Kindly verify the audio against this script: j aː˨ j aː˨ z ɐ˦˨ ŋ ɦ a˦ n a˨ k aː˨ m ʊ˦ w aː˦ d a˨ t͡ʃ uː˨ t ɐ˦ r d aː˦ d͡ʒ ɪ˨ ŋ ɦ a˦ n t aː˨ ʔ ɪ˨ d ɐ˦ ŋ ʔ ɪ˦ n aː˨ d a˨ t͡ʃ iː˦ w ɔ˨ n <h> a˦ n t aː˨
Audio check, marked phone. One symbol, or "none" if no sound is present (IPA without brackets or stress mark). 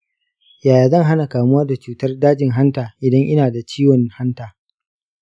h